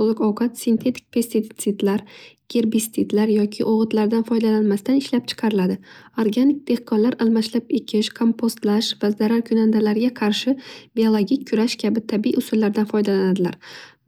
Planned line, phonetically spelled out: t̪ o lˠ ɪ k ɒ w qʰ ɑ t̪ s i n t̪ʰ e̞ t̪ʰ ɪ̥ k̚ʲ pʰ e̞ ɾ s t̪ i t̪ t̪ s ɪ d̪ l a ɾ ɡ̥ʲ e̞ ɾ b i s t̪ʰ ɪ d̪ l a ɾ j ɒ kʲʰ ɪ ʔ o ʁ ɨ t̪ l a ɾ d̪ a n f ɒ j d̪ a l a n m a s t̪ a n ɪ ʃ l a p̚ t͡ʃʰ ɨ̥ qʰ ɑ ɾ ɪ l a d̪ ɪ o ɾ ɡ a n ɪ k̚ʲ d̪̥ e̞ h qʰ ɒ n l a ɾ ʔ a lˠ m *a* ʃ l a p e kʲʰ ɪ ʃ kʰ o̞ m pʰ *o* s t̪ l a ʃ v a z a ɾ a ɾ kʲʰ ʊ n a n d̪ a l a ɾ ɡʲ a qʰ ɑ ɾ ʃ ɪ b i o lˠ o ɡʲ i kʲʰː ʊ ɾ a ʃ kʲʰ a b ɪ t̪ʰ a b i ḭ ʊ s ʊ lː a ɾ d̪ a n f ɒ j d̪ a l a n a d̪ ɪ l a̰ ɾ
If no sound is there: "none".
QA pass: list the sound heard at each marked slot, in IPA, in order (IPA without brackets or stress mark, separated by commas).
a, o